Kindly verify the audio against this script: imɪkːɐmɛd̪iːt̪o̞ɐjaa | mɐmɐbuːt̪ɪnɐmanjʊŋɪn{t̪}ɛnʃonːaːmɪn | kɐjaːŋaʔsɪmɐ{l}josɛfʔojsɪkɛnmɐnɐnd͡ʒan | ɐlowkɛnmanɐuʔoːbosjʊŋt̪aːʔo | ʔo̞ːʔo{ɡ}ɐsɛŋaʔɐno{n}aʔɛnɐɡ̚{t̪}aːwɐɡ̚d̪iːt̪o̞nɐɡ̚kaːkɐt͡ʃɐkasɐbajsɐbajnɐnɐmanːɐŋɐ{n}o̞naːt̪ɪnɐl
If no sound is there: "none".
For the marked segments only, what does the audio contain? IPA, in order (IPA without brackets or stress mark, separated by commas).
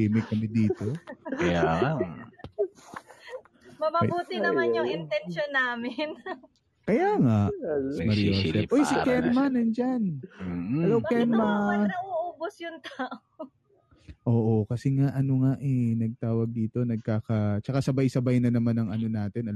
t̪, ɾ, k, ŋ, t̪, n